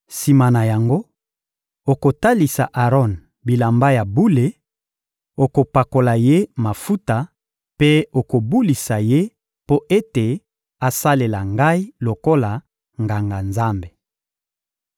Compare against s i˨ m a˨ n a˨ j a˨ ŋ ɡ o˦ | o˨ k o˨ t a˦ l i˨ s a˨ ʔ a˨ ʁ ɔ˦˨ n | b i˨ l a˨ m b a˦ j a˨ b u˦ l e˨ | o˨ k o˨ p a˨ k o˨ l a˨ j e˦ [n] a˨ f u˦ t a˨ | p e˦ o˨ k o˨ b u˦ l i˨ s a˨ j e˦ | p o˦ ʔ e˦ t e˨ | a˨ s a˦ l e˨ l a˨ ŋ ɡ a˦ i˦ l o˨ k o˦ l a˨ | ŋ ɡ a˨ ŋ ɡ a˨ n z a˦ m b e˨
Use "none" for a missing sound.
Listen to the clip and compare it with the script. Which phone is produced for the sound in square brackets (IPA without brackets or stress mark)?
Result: m